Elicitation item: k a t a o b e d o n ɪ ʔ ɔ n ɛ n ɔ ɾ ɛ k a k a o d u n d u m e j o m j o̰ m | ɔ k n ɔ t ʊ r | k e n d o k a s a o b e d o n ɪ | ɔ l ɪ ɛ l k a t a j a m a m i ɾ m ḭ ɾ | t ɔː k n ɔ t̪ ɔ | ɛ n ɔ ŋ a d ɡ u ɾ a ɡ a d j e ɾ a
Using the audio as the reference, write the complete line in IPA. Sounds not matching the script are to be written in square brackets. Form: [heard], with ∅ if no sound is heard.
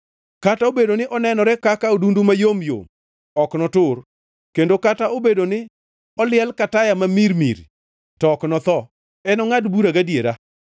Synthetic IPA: k a t a o b e d o n ɪ ʔ ɔ n ɛ n ɔ ɾ ɛ k a k a o d u n d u m [a] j o m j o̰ m | ɔ k n ɔ t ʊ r | k e n d o k a [t] a o b e d o n ɪ | ɔ l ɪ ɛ l k a t a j a m a m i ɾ m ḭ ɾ | t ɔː k n ɔ t̪ ɔ | ɛ n ɔ ŋ a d [b] u ɾ a ɡ a d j e ɾ a